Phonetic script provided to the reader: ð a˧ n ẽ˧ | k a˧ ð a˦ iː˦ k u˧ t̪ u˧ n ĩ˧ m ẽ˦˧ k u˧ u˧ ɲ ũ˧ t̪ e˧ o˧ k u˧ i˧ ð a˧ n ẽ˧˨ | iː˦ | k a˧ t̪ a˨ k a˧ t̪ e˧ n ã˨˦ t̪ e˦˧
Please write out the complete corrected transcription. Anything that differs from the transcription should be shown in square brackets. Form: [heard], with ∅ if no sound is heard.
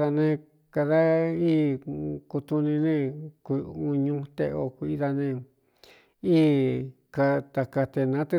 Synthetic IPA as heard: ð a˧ n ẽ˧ | k a˧ ð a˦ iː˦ k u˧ t̪ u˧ n ĩ˧ [n] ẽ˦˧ k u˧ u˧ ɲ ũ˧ t̪ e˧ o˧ k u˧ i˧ ð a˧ n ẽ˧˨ | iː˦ | k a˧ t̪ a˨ k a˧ t̪ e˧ n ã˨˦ t̪ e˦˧